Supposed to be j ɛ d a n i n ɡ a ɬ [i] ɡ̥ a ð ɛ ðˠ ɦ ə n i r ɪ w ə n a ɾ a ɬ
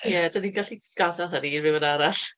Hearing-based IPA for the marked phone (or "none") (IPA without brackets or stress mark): i